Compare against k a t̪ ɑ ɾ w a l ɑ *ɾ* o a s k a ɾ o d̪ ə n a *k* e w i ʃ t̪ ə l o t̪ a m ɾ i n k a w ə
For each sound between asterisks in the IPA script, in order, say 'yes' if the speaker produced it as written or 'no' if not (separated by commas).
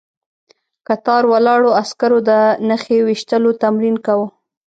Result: no, no